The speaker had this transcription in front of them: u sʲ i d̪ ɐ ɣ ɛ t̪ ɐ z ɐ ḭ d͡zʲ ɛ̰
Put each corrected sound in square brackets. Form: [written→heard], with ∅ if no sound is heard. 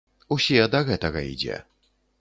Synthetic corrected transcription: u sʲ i d̪ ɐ ɣ ɛ t̪ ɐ [z→ɣ] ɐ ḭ d͡zʲ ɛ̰